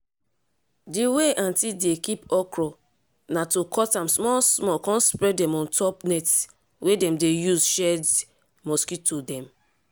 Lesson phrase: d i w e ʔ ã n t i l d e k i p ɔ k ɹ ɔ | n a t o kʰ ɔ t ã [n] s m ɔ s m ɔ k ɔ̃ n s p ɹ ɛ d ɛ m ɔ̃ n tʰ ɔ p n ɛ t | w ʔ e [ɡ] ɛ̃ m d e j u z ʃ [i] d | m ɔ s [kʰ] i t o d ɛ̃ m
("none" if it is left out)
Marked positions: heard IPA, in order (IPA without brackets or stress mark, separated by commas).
m, d, ɛ, k